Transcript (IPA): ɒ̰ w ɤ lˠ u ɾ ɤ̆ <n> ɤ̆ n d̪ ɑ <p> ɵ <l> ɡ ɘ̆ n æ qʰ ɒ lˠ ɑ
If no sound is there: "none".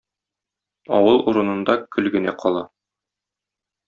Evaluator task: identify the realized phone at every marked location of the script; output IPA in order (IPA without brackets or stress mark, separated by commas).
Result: n, k, l